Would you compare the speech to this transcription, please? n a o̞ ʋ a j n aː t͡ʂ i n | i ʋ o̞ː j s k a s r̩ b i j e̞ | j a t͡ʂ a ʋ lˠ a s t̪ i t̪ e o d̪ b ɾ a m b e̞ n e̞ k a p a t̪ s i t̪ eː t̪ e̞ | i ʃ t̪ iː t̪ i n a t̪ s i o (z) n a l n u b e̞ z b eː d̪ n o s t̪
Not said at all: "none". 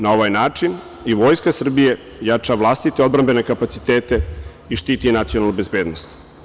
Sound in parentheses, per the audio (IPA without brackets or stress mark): none